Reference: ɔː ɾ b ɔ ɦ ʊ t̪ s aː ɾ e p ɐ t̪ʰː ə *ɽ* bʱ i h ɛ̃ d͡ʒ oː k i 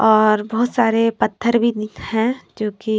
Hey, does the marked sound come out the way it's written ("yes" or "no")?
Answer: no